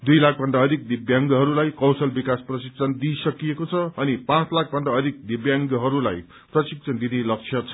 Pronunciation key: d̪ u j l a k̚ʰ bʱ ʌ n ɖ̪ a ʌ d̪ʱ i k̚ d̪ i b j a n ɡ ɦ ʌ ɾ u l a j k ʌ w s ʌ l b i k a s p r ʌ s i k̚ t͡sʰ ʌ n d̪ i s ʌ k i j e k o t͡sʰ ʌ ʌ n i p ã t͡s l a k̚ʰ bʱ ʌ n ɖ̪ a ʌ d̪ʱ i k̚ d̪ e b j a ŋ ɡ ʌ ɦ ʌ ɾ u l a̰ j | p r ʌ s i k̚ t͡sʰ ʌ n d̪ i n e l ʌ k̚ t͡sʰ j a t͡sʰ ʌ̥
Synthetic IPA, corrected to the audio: d̪ u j l a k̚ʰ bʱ ʌ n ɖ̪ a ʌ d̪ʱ i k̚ d̪ i b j a ŋ ɡ ɦ ʌ ɾ u l a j k ʌ w s ʌ l b i k a s p r ʌ s i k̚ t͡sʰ ʌ n d̪ i s ʌ k i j e k o t͡sʰ ʌ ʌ n i p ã t͡s l a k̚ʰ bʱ ʌ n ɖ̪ a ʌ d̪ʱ i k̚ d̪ i b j a ŋ ɡ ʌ ɦ ʌ ɾ u l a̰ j | p r ʌ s i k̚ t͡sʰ ʌ n d̪ i n e l ʌ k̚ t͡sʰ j ʌ t͡sʰ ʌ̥